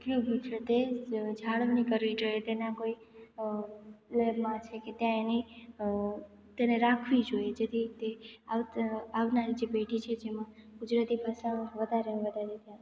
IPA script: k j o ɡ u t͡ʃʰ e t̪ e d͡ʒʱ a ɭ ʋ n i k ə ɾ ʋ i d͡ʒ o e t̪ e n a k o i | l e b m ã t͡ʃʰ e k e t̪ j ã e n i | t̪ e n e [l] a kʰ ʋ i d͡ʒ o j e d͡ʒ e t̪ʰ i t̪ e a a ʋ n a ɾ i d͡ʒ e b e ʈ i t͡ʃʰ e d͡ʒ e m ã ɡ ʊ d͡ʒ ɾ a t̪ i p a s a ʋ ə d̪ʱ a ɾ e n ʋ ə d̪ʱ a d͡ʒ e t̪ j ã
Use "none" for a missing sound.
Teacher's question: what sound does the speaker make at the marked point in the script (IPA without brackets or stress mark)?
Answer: ɾ